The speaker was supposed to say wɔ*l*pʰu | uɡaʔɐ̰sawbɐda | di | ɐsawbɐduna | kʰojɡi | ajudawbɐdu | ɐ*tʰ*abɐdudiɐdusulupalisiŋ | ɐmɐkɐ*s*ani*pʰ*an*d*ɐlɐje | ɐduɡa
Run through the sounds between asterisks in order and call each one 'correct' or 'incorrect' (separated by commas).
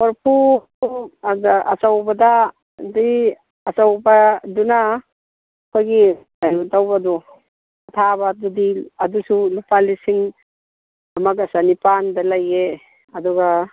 incorrect, correct, correct, incorrect, correct